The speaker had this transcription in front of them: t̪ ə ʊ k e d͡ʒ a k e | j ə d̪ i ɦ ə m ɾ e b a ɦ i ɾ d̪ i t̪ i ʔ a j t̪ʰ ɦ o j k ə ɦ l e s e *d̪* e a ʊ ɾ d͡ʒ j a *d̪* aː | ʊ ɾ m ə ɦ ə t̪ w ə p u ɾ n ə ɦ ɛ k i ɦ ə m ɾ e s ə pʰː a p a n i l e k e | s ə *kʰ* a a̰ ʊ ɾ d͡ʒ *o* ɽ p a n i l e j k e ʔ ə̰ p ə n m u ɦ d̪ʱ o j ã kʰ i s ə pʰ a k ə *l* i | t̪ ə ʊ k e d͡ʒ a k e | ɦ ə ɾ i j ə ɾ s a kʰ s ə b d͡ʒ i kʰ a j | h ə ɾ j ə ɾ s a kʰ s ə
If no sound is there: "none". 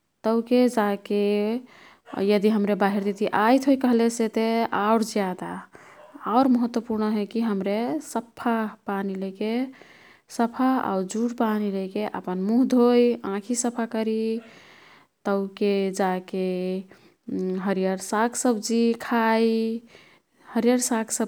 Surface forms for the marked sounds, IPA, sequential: t̪, d̪, pʰ, u, ɾ

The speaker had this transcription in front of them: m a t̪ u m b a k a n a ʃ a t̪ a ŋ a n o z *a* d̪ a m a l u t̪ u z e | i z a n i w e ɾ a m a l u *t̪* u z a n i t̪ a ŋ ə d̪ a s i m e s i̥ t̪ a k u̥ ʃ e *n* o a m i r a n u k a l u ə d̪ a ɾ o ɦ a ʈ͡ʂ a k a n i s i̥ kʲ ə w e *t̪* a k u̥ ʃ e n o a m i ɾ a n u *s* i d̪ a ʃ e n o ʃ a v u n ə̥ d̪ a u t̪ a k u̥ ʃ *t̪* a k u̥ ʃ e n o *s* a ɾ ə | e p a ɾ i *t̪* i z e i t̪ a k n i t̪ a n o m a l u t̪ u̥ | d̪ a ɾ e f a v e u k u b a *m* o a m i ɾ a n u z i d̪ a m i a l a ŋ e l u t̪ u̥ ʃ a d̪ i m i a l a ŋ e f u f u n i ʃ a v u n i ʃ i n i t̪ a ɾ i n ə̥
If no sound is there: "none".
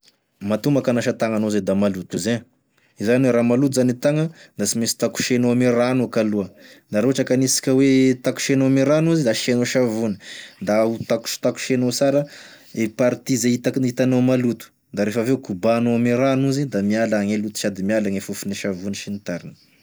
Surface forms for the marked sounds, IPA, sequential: e, t̪, n, t̪, z, t̪, s, t̪, n

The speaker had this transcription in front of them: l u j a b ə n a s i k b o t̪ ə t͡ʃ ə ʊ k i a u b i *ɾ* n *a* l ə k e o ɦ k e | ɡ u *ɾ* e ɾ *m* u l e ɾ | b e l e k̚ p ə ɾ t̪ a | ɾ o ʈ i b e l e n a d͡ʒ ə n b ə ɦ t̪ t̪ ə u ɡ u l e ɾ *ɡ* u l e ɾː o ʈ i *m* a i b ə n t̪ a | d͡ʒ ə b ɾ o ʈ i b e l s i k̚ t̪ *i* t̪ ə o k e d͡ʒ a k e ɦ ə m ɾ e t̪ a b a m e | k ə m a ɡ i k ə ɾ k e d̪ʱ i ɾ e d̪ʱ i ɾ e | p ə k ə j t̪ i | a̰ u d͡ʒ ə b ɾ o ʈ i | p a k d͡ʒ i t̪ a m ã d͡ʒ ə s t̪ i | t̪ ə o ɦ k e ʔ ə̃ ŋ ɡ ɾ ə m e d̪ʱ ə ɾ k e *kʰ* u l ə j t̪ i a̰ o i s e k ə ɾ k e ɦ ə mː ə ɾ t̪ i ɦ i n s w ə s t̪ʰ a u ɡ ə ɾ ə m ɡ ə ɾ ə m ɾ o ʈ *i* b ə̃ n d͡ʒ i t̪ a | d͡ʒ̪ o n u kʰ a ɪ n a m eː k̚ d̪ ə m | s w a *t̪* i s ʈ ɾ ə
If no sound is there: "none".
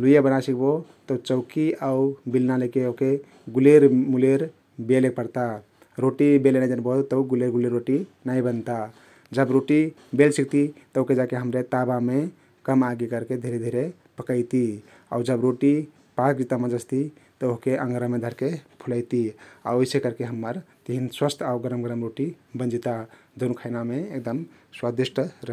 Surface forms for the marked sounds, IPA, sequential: l, a, l, m, ɡ, n, i, pʰ, i, d̪

